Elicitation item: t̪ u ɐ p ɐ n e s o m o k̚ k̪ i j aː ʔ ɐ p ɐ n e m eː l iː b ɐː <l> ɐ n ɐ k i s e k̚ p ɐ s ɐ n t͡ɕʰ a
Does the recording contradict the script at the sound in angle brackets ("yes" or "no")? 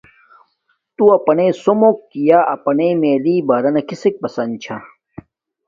yes